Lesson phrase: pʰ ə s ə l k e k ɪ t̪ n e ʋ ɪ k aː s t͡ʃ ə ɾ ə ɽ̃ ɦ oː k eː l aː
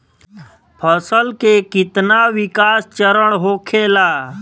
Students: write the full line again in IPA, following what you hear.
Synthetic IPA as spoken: pʰ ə s ə l k e k ɪ t̪ n a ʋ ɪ k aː s t͡ʃ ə ɾ ə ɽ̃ ɦ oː kʰ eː l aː